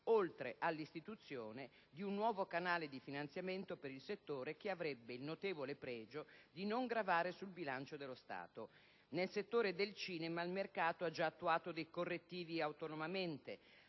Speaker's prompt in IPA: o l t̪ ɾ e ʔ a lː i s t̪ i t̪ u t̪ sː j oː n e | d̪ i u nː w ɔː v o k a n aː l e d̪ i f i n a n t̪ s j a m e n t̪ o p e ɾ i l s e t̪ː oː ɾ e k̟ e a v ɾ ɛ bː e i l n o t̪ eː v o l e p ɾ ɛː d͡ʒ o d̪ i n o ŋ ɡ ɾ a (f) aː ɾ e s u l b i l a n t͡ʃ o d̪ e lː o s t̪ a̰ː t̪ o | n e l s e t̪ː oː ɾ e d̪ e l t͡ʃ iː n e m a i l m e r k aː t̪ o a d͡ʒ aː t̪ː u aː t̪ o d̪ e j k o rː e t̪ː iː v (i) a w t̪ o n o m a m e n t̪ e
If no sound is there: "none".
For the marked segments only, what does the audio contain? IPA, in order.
v, i

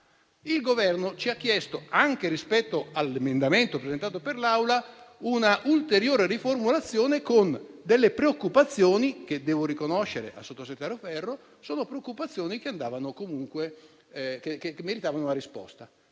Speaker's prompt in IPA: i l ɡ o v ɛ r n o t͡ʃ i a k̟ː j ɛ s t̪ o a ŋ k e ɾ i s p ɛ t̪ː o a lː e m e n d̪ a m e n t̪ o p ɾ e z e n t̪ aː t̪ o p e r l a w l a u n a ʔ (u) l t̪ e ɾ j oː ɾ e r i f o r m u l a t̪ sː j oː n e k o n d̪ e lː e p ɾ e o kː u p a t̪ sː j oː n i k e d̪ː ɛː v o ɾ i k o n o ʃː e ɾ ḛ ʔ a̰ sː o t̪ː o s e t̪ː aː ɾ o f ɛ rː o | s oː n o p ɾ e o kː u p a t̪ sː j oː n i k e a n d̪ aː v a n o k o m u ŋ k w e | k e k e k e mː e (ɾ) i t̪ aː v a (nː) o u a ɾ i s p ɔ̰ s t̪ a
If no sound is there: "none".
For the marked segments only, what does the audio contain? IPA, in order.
u, ɾ, n

